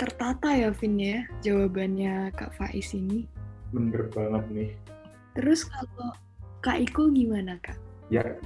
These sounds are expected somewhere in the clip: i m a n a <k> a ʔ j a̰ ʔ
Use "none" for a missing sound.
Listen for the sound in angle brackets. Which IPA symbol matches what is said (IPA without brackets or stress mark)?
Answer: k